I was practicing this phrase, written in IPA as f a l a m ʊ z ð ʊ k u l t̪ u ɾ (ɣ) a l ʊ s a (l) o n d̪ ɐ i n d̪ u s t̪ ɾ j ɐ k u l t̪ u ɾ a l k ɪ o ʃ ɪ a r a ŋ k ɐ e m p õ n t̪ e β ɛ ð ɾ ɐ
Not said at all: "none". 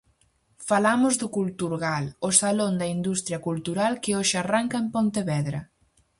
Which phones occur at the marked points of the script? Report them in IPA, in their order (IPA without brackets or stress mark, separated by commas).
ɣ, l